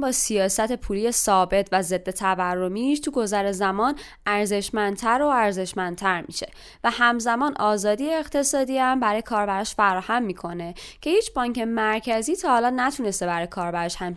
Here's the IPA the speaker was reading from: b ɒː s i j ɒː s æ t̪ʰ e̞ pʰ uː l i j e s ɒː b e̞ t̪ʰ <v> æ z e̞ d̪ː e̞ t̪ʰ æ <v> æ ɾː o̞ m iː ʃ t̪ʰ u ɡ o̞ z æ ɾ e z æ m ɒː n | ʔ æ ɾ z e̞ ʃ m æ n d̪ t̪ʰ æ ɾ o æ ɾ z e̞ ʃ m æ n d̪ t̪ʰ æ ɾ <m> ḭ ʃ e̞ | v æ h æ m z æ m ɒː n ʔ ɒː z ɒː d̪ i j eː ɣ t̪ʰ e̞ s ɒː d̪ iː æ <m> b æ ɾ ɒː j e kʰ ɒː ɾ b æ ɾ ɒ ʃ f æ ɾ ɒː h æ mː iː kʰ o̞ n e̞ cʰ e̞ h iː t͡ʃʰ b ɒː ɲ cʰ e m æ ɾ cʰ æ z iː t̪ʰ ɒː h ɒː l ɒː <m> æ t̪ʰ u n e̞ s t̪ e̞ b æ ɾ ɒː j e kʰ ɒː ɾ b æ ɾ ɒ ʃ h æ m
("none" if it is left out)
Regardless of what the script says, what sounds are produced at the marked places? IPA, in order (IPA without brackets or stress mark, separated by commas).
v, v, m, m, n